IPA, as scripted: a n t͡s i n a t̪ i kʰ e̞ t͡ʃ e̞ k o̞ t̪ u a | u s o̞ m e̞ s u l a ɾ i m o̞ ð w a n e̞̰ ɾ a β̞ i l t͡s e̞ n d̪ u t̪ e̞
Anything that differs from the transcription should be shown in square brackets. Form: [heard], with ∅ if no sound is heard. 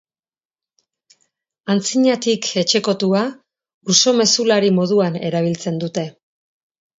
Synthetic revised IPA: a n t͡s i [ɲ] a t̪ i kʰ e̞ t͡ʃ e̞ k o̞ t̪ u a | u s o̞ m e̞ s u l a ɾ i m o̞ ð [u] a n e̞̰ ɾ a β̞ i l t͡s e̞ n d̪ u t̪ e̞